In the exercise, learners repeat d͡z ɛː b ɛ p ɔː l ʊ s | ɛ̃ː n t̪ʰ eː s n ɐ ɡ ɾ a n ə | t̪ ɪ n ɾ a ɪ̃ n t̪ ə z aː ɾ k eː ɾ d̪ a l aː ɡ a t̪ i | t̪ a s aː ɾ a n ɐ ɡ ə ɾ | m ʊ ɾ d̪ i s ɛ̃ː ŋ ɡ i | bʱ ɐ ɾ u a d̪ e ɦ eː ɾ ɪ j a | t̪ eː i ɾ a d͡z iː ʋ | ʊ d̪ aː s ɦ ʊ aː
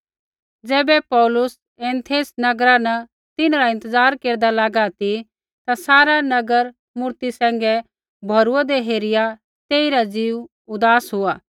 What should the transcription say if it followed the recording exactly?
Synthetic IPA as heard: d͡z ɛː b ɛ p ɔː l ʊ s | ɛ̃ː n t̪ʰ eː s n ɐ ɡ ɾ a n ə | t̪ ɪ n ɾ a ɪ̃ n t̪ ə z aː ɾ k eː ɾ d̪ a l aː ɡ a t̪ i | t̪ a s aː ɾ a n ɐ ɡ ə ɾ | m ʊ ɾ t̪ i s ɛ̃ː ŋ ɡ ɛ | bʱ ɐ ɾ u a d̪ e ɦ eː ɾ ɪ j a | t̪ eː i ɾ a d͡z iː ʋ | ʊ d̪ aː s ɦ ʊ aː